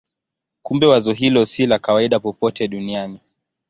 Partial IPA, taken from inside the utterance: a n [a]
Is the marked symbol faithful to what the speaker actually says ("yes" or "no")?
no